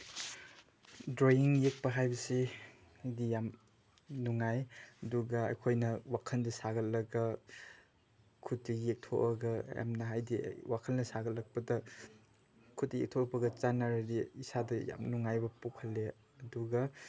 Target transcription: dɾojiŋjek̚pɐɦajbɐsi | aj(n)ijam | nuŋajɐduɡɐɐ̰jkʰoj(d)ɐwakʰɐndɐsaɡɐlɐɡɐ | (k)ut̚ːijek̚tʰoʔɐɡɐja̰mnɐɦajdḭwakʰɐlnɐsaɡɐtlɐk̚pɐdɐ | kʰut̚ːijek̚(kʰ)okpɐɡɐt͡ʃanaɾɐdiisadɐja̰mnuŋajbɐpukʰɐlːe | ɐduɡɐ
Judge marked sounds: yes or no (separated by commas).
no, no, no, no